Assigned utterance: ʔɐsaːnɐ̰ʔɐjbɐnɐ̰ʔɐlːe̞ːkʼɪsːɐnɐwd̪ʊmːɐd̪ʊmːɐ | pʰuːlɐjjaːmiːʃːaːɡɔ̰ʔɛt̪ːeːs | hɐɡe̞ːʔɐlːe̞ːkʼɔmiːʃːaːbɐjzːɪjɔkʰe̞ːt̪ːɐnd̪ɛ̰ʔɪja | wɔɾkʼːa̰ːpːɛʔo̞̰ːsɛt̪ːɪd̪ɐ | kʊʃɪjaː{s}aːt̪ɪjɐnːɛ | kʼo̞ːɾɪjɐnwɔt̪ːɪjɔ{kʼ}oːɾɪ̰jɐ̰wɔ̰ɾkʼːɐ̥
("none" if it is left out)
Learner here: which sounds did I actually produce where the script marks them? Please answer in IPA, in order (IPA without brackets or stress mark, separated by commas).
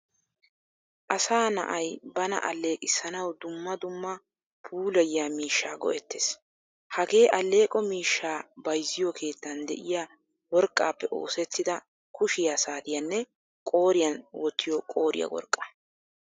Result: s, kʼ